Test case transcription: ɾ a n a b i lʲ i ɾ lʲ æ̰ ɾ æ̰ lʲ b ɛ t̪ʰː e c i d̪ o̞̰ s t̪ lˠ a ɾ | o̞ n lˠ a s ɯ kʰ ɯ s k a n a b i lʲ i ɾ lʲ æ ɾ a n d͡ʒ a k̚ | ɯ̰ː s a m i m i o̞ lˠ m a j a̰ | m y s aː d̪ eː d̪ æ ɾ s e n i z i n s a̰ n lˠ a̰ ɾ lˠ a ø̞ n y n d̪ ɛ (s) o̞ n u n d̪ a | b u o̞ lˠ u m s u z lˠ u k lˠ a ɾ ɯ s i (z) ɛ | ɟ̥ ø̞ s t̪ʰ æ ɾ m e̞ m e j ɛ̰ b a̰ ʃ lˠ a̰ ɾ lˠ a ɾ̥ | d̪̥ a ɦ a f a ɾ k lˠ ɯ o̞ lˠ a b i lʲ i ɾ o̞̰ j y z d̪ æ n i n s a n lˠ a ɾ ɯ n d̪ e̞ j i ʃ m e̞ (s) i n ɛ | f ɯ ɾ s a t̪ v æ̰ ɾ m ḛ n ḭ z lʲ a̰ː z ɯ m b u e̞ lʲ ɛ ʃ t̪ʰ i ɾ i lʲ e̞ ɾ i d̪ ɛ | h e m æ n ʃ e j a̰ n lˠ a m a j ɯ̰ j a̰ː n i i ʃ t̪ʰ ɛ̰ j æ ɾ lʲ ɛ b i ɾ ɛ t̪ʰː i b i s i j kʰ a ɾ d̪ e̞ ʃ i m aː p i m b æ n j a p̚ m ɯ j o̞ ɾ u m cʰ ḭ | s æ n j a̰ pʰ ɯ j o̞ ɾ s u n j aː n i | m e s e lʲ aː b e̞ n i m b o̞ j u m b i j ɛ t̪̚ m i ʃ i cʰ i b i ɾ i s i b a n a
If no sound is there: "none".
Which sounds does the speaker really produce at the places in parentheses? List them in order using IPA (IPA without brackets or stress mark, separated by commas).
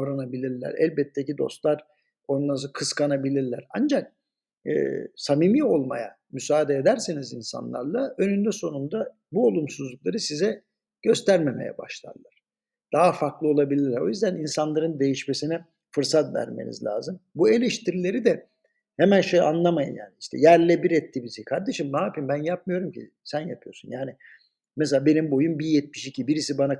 s, z, s